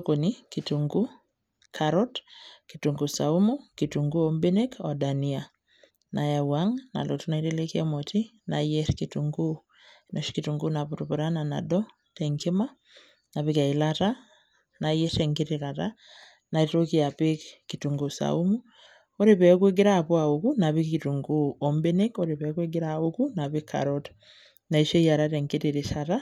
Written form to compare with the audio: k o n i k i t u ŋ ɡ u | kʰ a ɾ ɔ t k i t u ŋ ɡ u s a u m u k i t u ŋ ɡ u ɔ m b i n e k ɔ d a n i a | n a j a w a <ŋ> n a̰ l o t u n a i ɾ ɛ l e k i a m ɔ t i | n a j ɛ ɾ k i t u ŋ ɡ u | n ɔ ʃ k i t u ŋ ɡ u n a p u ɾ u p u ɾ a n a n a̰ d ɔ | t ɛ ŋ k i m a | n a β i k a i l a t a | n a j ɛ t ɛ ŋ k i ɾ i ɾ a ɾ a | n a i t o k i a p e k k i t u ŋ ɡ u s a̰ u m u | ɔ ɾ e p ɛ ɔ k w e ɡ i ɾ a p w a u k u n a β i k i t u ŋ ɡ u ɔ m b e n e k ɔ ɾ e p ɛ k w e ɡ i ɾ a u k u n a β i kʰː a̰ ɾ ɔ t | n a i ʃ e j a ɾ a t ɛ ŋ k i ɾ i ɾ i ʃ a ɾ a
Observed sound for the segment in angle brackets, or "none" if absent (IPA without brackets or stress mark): ŋ